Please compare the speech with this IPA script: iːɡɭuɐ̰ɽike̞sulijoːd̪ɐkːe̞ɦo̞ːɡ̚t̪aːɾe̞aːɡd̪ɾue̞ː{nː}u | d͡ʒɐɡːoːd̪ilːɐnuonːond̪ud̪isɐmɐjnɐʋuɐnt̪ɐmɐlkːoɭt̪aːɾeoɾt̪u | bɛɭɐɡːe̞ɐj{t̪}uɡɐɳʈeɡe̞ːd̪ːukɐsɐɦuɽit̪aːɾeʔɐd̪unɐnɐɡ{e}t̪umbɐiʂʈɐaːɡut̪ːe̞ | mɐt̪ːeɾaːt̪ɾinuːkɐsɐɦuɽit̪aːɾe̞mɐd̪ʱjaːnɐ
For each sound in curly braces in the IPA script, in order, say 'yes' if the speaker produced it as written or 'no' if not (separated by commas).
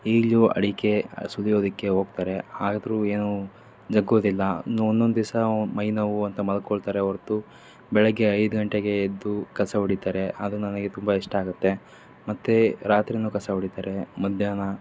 no, no, yes